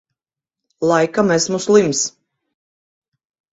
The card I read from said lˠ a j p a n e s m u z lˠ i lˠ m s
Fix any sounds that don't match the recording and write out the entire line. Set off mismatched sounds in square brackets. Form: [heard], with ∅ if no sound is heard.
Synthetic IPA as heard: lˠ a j [k] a [m] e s m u [s] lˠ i [∅] m s